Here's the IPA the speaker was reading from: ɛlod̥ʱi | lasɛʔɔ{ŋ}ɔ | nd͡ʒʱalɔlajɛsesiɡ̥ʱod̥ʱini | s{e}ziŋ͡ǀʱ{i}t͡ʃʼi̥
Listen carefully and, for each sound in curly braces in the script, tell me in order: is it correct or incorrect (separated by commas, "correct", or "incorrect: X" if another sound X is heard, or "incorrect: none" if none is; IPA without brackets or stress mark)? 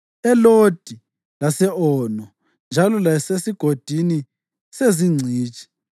incorrect: n, correct, incorrect: iː